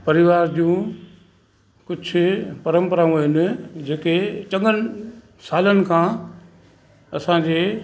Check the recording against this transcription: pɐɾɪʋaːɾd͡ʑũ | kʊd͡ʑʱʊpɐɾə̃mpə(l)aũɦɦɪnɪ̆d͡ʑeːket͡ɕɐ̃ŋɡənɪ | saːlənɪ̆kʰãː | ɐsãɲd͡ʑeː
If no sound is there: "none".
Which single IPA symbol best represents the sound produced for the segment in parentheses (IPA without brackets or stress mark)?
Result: ɾ